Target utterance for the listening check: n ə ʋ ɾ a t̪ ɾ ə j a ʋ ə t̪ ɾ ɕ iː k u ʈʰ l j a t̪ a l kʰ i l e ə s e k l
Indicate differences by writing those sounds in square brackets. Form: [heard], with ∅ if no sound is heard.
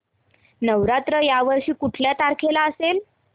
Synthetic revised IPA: n ə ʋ ɾ a t̪ ɾ ə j a ʋ ə [∅] ɾ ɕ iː k u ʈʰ l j a t̪ a [ɾ] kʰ [e] l [a] ə s e [∅] l

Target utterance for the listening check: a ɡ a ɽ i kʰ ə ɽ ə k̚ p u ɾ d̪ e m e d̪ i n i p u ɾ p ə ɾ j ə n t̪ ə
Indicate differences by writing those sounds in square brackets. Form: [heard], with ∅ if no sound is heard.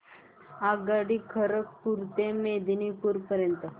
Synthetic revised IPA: a ɡ a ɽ i kʰ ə [ɾ] ə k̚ p u ɾ [t̪] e m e d̪ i n i p u ɾ p ə ɾ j ə n t̪ ə

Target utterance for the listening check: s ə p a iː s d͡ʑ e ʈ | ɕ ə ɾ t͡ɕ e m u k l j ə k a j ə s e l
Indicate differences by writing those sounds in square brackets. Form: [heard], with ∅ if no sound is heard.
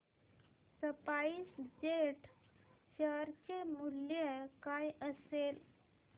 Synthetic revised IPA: s ə p a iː s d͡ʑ e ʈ | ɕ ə ɾ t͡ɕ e m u [∅] l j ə k a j ə s e l

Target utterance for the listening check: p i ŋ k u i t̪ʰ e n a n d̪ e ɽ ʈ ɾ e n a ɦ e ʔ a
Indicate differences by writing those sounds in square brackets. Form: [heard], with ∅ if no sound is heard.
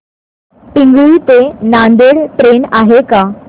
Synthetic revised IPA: p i ŋ [ɡ] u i [t̪] e n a n d̪ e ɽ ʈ ɾ e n a ɦ e [k] a

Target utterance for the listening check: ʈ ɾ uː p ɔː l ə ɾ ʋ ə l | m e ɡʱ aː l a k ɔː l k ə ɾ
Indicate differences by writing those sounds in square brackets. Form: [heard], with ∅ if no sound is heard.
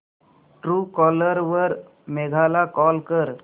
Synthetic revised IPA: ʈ ɾ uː [k] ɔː l ə ɾ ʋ ə [ɾ] | m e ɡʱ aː l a k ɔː l k ə ɾ

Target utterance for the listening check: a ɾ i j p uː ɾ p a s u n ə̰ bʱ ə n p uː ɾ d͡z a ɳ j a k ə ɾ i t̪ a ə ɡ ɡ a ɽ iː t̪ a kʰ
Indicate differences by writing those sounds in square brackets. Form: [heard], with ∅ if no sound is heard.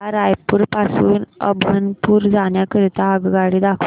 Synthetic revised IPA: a ɾ [a] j p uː ɾ p a s [uː] n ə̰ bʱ ə n p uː ɾ d͡z a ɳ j a k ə ɾ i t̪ a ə ɡ ɡ a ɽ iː [d̪] a kʰ

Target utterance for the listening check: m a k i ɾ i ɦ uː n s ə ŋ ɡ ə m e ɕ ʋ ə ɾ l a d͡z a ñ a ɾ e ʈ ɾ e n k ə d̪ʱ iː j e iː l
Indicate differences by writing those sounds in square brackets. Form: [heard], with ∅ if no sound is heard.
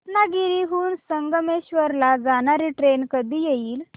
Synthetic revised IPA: [n] a [ɡ] i ɾ i ɦ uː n s ə ŋ ɡ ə m e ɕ ʋ ə ɾ l a d͡z a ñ a ɾ [i] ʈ ɾ e n k ə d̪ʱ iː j e iː l

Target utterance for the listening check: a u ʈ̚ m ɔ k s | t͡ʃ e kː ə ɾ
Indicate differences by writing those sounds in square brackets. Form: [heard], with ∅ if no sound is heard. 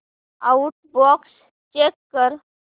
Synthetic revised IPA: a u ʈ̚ [b] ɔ k s | t͡ʃ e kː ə ɾ

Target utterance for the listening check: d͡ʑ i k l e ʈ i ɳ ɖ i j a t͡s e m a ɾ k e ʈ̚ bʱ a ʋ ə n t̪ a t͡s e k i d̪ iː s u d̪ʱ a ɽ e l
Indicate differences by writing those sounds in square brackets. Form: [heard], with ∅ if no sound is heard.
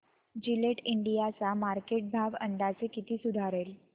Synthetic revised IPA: d͡ʑ i [∅] l e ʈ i ɳ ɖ i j a t͡s [a] m a ɾ k e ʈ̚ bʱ a ʋ ə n [d̪] a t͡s e k i [t̪] iː s u d̪ʱ a [ɾ] e l

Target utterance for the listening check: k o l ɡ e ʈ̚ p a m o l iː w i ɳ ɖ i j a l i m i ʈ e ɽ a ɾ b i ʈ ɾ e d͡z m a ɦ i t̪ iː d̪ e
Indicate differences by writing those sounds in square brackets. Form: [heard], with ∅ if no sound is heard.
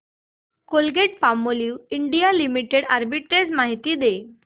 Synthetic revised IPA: k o l ɡ e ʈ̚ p a m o l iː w i ɳ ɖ i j a l i m i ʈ e ɽ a ɾ b i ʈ ɾ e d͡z m a ɦ i t̪ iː d̪ e

